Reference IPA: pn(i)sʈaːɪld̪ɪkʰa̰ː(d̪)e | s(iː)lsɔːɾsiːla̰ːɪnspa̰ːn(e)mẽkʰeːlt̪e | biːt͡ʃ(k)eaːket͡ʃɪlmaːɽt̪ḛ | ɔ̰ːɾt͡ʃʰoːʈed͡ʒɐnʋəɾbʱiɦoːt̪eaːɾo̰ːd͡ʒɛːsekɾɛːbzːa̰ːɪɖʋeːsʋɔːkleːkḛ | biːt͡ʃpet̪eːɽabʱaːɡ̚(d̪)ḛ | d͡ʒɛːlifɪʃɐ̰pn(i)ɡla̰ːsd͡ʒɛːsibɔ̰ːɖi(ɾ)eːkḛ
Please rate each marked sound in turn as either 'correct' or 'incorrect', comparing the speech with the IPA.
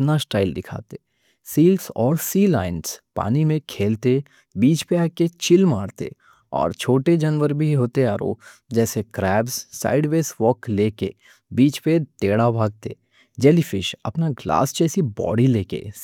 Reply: incorrect: a, incorrect: t̪, correct, incorrect: i, incorrect: p, incorrect: t̪, incorrect: a, incorrect: l

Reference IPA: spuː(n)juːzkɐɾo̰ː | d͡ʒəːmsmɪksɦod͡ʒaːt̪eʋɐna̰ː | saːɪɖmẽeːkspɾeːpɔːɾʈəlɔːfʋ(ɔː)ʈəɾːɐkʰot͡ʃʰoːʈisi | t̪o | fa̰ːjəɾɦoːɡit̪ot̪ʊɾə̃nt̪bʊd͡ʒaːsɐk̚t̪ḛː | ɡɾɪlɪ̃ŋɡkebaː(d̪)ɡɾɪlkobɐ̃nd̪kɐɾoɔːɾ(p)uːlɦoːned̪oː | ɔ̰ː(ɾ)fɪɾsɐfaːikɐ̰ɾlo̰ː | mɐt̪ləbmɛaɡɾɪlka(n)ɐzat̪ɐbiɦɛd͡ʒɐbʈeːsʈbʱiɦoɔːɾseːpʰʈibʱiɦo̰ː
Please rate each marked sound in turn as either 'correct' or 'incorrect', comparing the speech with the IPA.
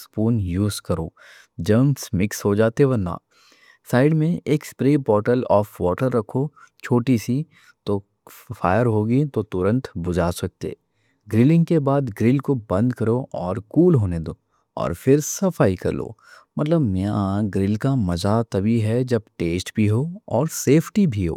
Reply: correct, correct, correct, incorrect: k, correct, incorrect: m

